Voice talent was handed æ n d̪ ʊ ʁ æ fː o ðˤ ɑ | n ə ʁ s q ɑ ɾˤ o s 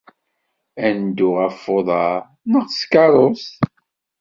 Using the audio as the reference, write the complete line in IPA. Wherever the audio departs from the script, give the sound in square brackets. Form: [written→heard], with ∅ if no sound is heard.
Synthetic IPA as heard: æ n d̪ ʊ ʁ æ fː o ðˤ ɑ | n ə ʁ s [q→k] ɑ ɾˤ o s